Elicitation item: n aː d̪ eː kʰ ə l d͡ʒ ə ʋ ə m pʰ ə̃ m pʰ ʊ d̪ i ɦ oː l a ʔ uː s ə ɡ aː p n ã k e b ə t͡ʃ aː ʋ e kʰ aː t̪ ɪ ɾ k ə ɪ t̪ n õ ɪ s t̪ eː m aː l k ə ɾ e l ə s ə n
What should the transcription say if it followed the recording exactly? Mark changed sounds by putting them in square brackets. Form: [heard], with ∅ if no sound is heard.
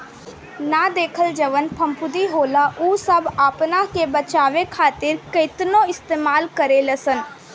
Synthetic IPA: n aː d̪ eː kʰ ə l d͡ʒ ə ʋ ə [n] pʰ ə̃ m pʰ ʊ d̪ i ɦ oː l a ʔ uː s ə [b] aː p n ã k e b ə t͡ʃ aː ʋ e kʰ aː t̪ ɪ ɾ k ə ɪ t̪ n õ ɪ s t̪ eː m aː l k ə ɾ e l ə s ə n

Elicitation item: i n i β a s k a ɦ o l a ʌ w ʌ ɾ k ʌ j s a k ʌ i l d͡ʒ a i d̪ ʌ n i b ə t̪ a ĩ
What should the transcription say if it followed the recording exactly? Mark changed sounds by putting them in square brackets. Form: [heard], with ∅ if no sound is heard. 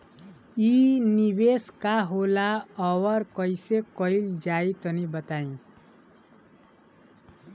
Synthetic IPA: i n i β [e] s k a ɦ o l a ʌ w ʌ ɾ k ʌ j s [e] k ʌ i l d͡ʒ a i [t̪] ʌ n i b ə t̪ a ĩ

